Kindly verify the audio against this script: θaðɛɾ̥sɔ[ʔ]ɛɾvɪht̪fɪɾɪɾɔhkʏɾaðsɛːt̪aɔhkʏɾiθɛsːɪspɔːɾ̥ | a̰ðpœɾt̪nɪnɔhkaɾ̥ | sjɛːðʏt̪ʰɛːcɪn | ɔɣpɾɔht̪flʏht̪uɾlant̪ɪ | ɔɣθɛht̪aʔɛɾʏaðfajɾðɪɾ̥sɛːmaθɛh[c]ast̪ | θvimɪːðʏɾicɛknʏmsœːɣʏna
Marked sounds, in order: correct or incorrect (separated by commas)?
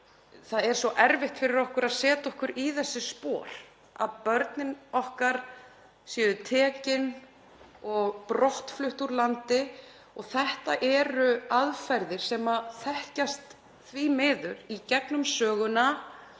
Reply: correct, correct